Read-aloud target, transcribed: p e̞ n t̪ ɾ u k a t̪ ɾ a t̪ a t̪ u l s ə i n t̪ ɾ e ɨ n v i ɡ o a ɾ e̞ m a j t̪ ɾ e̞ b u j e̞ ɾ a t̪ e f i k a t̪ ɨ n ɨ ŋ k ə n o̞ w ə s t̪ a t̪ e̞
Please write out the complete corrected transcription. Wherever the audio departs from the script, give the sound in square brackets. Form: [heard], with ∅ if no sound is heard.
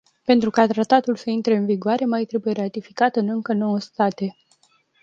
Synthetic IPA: p e̞ n t̪ ɾ u k a t̪ ɾ a t̪ a t̪ u l s ə i n t̪ ɾ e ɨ n v i ɡ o a ɾ e̞ m a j t̪ ɾ e̞ b u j e̞ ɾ a t̪ [i] f i k a t̪ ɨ n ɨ ŋ k ə n o̞ w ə s t̪ a t̪ e̞